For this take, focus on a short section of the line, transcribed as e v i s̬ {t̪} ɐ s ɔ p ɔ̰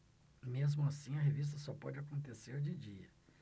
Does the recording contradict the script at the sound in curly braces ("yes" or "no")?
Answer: no